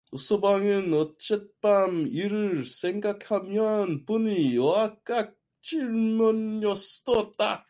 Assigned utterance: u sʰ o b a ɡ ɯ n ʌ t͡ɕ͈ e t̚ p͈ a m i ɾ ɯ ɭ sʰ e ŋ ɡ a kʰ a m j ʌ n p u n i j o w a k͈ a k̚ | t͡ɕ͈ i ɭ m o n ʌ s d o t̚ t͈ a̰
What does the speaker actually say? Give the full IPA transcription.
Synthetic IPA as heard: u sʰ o b a ŋ ɯ n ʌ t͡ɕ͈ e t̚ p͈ a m i ɾ ɯ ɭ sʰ e ŋ ɡ a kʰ a m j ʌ n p u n i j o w a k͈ a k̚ | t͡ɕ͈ i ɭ m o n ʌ s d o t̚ t͈ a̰